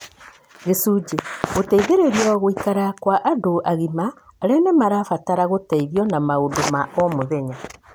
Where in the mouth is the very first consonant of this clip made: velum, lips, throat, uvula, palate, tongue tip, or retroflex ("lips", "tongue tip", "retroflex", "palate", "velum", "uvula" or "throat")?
velum